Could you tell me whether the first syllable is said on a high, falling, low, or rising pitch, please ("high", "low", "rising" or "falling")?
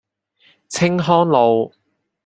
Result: high